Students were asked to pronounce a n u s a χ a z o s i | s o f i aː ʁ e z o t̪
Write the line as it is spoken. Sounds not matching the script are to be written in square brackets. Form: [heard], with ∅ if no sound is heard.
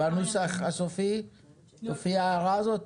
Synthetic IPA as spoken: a n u s a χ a [s] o [f] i | s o f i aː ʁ [a] z o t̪